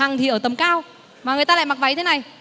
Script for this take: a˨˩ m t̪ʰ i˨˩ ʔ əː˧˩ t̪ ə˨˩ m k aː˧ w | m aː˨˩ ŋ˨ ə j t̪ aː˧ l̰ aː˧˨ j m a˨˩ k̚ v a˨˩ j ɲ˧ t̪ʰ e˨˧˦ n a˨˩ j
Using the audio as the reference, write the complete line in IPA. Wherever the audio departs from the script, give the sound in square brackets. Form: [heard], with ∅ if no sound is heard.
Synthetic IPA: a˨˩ [ŋ] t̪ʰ i˨˩ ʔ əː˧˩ t̪ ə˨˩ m k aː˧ w | m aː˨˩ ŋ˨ ə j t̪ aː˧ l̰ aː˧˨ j m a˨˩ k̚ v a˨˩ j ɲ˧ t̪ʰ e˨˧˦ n a˨˩ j